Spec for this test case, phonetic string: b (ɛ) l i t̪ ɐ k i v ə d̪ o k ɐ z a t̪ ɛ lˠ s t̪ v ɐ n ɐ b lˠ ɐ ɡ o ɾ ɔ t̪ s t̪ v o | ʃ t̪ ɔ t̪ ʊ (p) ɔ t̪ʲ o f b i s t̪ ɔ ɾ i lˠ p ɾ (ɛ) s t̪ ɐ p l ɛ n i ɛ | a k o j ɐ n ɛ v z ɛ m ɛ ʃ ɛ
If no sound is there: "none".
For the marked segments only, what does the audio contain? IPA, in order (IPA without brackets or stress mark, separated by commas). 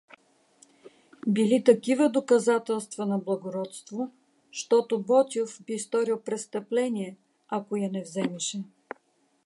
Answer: i, b, ɛ